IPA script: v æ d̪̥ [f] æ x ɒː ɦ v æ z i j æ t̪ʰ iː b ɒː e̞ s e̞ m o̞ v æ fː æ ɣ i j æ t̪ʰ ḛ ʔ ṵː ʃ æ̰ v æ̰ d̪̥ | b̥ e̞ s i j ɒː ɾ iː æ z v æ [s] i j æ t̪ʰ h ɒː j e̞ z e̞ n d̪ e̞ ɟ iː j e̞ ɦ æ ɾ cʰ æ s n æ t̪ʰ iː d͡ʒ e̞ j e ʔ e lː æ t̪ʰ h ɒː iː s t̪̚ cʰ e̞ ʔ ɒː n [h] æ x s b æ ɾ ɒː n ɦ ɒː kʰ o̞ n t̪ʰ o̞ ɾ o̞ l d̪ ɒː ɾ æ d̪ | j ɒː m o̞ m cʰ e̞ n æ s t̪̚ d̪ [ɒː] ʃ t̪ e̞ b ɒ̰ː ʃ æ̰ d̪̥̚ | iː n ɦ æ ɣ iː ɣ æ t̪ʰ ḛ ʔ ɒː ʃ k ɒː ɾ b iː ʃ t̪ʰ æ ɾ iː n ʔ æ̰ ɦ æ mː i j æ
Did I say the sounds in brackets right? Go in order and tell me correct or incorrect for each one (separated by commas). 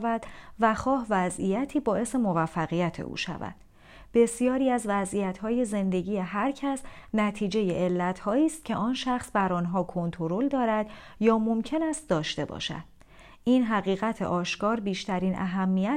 incorrect, incorrect, incorrect, correct